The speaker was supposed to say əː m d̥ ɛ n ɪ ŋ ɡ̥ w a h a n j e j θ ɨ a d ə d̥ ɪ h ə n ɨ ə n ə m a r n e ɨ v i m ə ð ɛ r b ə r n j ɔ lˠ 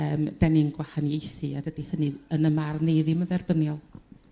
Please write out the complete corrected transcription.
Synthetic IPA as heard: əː m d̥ ɛ n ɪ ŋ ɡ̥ w a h a n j e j θ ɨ a d ə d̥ i h ə n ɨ ə n ə m a r n e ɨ ð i m ə ð ɛ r b ə n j ɔ lˠ

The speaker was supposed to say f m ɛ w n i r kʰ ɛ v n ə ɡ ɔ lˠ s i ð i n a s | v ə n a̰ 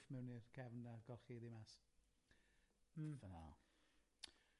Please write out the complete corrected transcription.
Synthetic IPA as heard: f m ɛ w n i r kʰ ɛ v n a ɡ ɔ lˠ χ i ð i m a s | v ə n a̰

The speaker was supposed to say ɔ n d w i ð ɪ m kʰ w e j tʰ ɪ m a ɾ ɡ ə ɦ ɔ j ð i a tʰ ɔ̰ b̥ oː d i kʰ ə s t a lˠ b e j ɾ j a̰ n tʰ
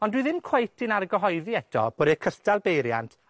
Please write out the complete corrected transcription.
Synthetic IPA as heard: ɔ n d w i ð ɪ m kʰ w e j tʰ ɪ n a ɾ ɡ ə ɦ ɔ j ð i ɛ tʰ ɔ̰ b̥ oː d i kʰ ə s t a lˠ b e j ɾ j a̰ n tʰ

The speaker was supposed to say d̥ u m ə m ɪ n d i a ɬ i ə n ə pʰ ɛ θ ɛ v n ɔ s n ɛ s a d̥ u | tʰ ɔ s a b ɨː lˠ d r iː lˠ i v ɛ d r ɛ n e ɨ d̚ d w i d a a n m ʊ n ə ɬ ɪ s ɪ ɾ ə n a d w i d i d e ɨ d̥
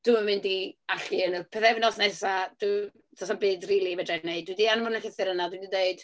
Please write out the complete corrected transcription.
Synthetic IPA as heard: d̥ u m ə m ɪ n d i a ɬ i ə n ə pʰ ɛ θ ɛ v n ɔ s n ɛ s a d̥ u | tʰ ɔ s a b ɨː d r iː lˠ i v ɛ d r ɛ n e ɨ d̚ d w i d i a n m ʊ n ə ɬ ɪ θ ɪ ɾ ə n a d w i d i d e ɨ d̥

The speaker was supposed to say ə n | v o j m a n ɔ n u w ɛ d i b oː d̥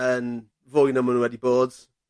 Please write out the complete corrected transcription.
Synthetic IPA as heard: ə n | v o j n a m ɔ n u w ɛ d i b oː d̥

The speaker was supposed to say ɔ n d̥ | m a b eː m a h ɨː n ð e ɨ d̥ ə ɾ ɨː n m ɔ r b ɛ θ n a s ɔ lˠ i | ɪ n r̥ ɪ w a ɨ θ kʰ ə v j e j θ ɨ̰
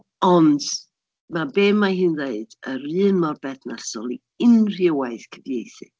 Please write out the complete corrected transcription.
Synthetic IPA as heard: ɔ n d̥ | m a b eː m a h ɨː n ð e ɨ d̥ ə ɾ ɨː n m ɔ r b ɛ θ n a s ɔ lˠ i | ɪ n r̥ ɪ w a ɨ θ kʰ ə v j e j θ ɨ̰

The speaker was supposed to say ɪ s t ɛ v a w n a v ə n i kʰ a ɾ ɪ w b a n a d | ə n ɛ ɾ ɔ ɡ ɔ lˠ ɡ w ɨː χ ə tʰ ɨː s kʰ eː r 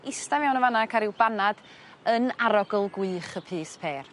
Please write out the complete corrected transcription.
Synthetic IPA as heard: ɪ s t a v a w n ə v a n a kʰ a ɾ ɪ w b a n a d | ə n a ɾ ɔ ɡ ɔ lˠ ɡ w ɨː χ ə pʰ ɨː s pʰ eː r

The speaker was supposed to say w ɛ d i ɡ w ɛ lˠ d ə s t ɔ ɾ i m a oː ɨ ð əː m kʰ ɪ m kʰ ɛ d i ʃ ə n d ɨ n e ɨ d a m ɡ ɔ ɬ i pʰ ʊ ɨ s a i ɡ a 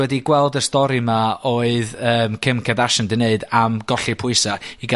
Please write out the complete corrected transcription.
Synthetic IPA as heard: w ɛ d i ɡ w ɛ lˠ d ə s t ɔ ɾ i m a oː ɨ ð əː m kʰ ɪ m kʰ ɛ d a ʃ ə n d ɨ n e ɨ d a m ɡ ɔ ɬ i pʰ ʊ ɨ s a i ɡ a

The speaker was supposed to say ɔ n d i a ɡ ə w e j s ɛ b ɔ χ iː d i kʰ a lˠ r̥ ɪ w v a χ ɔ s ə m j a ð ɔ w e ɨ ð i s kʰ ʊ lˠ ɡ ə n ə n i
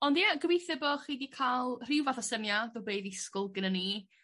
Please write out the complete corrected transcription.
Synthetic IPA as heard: ɔ n d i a ɡ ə w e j θ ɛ b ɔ χ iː d i kʰ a lˠ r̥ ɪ w v a θ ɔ s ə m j a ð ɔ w e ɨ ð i s k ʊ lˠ ɡ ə n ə n i

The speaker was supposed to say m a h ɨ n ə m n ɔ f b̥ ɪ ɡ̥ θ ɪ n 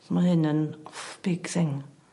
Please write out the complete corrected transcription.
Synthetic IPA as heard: m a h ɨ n ə n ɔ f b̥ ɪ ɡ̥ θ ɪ ŋ

